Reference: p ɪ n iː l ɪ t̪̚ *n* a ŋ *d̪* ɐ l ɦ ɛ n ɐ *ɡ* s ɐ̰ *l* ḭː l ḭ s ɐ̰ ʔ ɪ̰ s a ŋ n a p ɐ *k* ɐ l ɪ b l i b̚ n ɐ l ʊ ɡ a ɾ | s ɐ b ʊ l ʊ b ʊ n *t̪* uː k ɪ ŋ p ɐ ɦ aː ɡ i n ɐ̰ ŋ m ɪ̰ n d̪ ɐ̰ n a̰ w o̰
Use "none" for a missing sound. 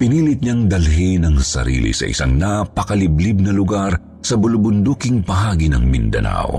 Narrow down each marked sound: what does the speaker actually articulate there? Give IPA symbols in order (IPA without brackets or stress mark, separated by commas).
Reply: ɲ, d̪, ŋ, ɾ, k, d̪